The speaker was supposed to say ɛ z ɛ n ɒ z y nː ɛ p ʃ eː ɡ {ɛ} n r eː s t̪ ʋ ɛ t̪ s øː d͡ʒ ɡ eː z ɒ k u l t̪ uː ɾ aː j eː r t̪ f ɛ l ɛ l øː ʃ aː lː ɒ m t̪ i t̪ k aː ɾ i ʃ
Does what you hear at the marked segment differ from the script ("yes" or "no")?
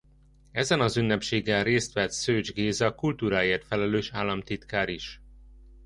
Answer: no